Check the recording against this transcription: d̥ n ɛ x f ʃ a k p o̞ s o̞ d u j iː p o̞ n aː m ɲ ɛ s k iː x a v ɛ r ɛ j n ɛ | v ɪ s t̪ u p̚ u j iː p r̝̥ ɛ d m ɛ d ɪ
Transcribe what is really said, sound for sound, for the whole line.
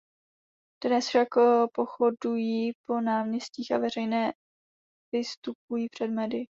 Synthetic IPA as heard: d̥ n ɛ s f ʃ a k p o̞ x o̞ d u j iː p o̞ n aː m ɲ ɛ s c iː x a v ɛ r ɛ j n ɛː | v ɪ s t̪ u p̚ u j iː p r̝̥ ɛ d m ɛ d ɪ

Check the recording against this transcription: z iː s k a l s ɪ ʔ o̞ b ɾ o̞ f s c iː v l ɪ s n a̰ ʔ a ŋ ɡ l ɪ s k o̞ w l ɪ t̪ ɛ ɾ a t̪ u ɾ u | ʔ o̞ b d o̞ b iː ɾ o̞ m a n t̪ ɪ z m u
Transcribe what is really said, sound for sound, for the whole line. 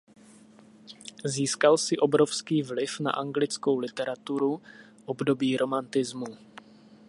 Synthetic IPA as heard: z iː s k a l s ɪ ʔ o̞ b ɾ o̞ f s k iː v l ɪ f n a̰ ʔ a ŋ ɡ l ɪ t͡s k o̞ w l ɪ t̪ ɛ ɾ a t̪ u ɾ u | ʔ o̞ b d o̞ b iː ɾ o̞ m a n t̪ ɪ z m u

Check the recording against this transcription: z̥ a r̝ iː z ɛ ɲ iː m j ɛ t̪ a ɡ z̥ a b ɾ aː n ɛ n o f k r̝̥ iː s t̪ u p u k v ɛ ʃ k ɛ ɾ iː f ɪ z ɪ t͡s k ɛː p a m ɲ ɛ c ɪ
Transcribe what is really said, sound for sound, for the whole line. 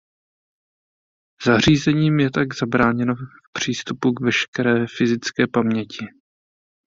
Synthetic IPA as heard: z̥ a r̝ iː z ɛ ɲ iː m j ɛ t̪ a ɡ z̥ a b ɾ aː ɲ ɛ n o f p r̝̥ iː s t̪ u p u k v ɛ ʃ k ɛ ɾ ɛː f ɪ z ɪ t͡s k ɛː p a m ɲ ɛ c ɪ

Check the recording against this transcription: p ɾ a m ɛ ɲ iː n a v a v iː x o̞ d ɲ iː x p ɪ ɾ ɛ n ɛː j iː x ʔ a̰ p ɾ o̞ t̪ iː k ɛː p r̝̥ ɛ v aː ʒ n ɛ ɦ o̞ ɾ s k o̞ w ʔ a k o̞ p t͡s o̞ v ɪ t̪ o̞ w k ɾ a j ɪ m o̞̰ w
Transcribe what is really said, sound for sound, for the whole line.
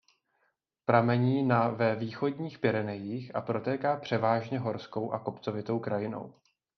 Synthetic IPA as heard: p ɾ a m ɛ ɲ iː n a v ɛ v iː x o̞ d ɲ iː x p ɪ ɾ ɛ n ɛ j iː x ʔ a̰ p ɾ o̞ t̪ ɛː k aː p r̝̥ ɛ v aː ʒ ɲ ɛ ɦ o̞ ɾ s k o̞ w ʔ a k o̞ p t͡s o̞ v ɪ t̪ o̞ w k ɾ a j ɪ n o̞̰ w

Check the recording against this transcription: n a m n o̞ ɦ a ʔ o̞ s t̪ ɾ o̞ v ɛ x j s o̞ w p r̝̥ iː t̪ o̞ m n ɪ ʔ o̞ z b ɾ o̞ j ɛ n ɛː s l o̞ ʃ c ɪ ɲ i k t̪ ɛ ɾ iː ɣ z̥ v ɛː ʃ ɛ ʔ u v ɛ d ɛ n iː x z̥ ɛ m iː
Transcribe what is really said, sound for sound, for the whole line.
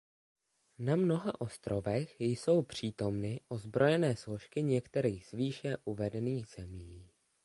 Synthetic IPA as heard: n a m n o̞ ɦ a ʔ o̞ s t̪ ɾ o̞ v ɛ x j s o̞ w p r̝̥ iː t̪ o̞ m n ɪ ʔ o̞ z b ɾ o̞ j ɛ n ɛː s l o̞ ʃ k ɪ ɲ ɛ k t̪ ɛ ɾ iː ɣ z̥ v iː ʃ ɛ ʔ u v ɛ d ɛ n iː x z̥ ɛ m iː

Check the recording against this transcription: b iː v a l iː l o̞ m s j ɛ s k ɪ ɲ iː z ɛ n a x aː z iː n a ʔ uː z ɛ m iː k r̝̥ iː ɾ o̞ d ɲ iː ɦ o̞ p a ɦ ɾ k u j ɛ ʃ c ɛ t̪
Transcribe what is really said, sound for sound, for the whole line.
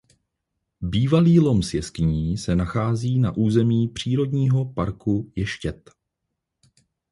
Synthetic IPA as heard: b iː v a l iː l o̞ m s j ɛ s k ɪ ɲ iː s ɛ n a x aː z iː n a ʔ uː z ɛ m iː p r̝̥ iː ɾ o̞ d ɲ iː ɦ o̞ p a ɾ k u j ɛ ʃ c ɛ t̪

